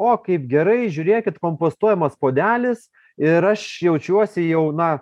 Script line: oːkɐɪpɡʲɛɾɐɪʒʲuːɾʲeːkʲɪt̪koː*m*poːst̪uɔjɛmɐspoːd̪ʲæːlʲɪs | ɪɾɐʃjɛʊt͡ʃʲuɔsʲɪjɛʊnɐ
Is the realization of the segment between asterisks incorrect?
no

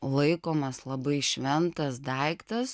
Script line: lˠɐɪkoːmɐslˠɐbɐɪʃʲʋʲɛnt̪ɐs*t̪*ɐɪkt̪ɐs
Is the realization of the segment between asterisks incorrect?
yes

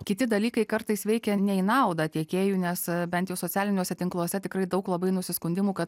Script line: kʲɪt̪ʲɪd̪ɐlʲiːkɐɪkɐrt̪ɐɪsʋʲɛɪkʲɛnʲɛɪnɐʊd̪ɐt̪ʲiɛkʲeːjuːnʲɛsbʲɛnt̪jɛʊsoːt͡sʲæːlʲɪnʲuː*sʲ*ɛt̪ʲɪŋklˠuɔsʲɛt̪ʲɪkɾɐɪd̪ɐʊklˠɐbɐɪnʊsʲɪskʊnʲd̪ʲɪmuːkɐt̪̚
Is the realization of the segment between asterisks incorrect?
no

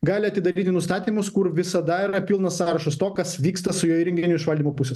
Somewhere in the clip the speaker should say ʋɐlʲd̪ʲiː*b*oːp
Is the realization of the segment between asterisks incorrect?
yes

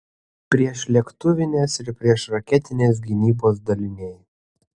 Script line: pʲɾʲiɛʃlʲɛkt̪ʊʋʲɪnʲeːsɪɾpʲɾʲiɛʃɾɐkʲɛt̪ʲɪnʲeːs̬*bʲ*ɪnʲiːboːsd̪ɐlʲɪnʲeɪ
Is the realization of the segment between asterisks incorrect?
yes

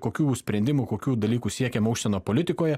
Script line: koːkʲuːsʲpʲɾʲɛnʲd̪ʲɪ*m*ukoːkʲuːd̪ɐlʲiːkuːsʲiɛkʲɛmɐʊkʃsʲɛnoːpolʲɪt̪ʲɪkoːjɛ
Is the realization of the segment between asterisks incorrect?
no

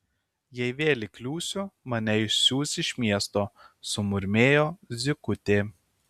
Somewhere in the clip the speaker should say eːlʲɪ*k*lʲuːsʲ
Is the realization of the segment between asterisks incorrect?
no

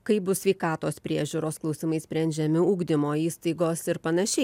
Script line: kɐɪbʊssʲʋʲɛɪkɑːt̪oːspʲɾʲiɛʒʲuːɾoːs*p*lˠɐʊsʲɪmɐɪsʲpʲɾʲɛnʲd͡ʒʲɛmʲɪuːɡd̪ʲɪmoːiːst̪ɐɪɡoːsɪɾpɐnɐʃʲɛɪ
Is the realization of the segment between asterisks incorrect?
yes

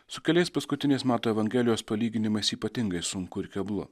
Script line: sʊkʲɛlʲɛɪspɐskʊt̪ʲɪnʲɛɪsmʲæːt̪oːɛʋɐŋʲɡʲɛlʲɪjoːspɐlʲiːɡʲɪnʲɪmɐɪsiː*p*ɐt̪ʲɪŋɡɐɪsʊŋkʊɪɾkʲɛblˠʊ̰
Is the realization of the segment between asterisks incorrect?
no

